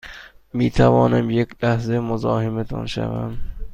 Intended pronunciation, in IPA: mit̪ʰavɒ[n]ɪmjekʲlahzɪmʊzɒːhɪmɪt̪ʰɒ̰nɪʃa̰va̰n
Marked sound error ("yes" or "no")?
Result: no